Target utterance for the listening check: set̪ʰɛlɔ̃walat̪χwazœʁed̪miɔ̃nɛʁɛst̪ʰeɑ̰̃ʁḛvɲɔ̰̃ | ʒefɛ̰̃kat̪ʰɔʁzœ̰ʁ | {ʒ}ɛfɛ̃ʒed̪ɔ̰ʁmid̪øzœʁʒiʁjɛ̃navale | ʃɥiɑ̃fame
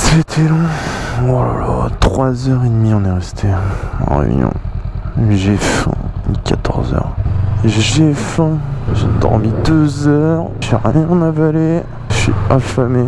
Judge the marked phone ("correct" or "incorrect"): correct